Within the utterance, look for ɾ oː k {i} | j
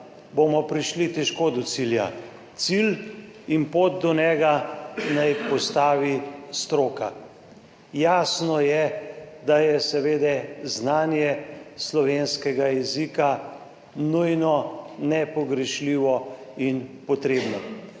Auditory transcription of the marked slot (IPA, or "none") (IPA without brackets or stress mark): a